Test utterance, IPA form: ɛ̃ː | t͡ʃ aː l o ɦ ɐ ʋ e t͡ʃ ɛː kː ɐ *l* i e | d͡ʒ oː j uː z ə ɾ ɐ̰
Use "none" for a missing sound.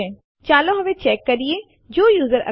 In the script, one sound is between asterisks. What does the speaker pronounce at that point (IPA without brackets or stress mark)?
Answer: ɾ